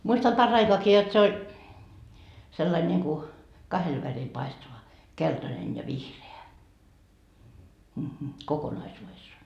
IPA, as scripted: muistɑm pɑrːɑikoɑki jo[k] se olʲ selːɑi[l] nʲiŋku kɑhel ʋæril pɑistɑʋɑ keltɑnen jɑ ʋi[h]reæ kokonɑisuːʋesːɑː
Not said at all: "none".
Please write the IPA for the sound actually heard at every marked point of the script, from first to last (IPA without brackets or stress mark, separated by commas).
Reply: t, l, h